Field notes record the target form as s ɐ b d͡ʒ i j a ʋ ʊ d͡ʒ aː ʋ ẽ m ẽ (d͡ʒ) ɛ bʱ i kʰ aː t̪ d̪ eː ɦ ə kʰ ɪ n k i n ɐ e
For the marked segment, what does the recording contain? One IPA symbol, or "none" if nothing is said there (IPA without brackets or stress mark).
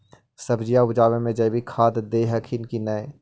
d͡ʒ